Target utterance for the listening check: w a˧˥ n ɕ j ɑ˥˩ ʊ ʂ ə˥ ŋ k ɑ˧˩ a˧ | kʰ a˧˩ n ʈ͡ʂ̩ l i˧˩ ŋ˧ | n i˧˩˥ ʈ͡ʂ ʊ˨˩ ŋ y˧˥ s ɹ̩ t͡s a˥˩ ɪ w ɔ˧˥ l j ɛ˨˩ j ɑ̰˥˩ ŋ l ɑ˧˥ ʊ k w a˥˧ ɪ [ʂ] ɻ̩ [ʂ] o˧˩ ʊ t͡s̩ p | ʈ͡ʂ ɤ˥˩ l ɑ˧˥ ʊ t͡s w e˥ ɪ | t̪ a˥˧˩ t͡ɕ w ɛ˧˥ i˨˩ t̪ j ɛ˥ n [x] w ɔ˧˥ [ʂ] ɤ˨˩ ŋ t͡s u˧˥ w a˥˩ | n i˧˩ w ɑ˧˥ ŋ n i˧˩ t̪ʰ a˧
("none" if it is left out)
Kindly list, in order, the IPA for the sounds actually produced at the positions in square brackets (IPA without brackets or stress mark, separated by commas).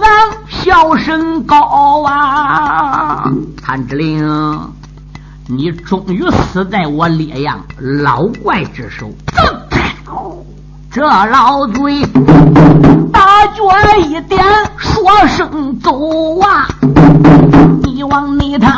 ʈ͡ʂ, ʂ, ʂ, ʂ